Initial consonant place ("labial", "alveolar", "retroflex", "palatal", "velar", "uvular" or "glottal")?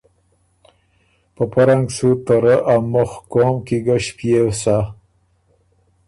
labial